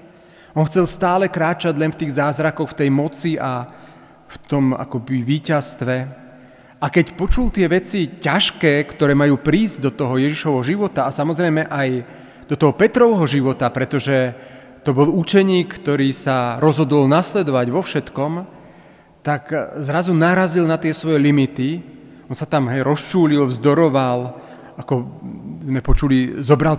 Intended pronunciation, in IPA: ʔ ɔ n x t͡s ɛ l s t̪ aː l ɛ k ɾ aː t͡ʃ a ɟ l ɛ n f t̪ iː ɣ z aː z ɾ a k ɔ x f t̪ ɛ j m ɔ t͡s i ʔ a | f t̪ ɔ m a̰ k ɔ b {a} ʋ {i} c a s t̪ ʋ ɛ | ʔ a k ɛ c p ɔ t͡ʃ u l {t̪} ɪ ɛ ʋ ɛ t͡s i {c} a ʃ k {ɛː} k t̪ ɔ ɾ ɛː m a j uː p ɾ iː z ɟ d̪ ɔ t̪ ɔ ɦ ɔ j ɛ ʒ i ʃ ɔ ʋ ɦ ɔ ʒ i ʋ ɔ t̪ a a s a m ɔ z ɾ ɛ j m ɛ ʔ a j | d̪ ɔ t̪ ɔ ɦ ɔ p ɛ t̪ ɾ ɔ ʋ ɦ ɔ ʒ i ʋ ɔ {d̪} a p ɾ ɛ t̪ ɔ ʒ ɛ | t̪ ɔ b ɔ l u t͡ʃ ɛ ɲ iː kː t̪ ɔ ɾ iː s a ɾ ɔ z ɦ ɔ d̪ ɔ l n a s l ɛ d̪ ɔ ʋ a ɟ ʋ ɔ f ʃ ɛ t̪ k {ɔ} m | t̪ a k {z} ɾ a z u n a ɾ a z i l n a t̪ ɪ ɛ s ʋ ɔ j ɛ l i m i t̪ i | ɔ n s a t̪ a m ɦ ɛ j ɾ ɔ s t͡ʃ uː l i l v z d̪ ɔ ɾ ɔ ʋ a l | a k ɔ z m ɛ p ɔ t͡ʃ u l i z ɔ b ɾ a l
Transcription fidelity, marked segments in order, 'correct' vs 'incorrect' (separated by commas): incorrect, incorrect, correct, correct, correct, incorrect, correct, correct